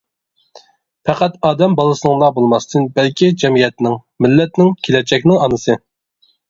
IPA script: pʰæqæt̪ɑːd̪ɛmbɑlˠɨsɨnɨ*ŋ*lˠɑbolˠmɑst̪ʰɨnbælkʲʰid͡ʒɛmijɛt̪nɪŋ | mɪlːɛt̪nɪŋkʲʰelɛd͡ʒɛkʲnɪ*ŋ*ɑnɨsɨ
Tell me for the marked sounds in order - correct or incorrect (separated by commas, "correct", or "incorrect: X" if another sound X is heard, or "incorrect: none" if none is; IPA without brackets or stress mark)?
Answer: correct, correct